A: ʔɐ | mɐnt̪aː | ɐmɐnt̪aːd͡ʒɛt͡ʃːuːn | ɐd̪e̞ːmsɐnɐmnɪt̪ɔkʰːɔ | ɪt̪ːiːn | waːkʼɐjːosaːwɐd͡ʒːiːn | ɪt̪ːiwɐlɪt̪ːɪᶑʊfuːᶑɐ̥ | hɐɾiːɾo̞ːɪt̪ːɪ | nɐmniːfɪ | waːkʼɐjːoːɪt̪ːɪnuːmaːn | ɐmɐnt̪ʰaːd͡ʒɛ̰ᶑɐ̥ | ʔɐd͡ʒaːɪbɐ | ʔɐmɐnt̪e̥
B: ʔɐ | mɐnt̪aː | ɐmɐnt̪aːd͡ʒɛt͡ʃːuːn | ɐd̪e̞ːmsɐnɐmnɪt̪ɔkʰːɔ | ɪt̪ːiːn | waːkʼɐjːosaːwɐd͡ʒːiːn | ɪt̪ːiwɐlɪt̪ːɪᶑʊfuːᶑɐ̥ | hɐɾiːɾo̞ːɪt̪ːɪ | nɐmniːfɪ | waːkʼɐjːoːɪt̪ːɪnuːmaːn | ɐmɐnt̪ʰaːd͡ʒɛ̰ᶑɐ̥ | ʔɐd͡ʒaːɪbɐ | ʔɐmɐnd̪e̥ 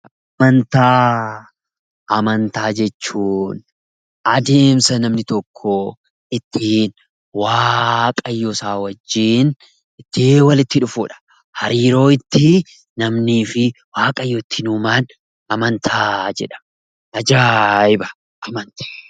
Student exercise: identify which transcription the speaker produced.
A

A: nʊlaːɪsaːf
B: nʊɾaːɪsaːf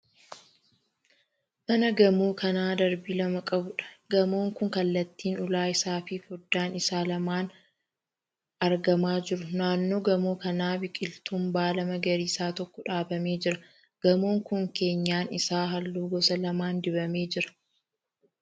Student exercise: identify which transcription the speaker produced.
A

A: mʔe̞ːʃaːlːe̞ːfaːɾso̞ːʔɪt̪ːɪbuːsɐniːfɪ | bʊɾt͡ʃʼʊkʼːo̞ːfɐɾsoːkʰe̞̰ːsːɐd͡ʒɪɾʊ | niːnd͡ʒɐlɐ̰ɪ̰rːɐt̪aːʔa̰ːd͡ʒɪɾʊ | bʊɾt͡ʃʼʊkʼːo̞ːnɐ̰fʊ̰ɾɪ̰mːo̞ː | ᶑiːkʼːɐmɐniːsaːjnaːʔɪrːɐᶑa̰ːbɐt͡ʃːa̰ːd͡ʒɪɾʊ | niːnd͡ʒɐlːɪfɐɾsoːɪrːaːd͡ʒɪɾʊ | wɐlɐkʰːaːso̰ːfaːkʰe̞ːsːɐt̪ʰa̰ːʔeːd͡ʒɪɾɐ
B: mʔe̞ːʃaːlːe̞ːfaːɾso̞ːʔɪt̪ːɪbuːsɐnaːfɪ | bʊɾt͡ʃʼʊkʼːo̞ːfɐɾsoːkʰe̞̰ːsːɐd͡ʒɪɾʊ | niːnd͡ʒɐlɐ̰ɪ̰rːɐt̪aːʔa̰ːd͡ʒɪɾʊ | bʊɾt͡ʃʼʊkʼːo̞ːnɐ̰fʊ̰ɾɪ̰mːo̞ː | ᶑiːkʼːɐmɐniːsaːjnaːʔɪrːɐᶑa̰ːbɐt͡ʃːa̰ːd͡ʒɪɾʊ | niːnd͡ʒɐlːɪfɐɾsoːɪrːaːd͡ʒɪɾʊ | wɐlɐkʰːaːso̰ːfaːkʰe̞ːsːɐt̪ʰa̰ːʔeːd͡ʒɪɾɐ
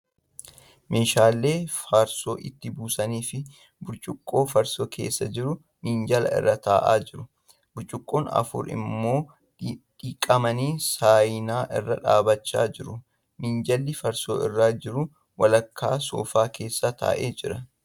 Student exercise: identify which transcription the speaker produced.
A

